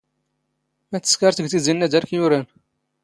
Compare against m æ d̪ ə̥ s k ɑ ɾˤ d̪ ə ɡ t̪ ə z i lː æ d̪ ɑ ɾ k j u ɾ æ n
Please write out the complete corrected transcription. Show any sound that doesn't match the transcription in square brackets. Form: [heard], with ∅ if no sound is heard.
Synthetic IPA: m æ [t̪] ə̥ s k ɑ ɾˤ [t̪] ə ɡ t̪ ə z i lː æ d̪ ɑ ɾ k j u ɾ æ n